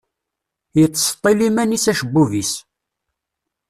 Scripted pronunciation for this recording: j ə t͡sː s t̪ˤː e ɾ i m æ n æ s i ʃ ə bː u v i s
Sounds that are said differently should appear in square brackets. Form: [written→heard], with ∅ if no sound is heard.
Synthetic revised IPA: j ə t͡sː s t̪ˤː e [ɾ→l] i m æ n [æ→i] s [i→æ] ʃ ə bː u v i s